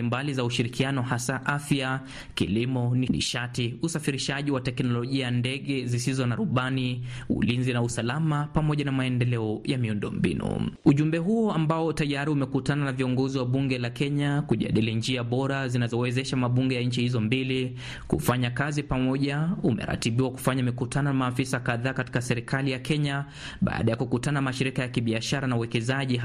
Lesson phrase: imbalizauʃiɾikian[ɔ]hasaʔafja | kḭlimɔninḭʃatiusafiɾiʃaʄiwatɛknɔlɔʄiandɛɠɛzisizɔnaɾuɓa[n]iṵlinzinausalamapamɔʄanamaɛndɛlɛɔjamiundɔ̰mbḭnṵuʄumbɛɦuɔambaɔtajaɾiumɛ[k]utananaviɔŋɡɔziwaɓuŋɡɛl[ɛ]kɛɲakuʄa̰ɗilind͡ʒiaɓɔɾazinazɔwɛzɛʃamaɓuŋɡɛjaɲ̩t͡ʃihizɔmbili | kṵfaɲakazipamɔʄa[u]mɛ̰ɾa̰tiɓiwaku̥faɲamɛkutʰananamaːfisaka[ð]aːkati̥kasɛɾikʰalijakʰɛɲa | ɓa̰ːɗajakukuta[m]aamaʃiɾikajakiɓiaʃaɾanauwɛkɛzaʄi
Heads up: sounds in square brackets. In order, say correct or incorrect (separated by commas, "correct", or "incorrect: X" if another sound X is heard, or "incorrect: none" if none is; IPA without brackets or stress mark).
correct, correct, correct, incorrect: a, correct, correct, incorrect: n